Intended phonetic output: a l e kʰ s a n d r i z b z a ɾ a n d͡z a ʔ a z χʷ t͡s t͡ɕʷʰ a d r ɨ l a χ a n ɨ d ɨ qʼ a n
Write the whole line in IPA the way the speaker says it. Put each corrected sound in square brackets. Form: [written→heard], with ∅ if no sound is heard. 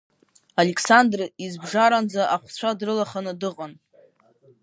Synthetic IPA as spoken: a l e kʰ s a n d r i z b [z→ʐ] a ɾ a n d͡z a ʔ a [z→∅] χʷ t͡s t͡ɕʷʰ a d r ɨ l a χ a n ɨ d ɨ qʼ a n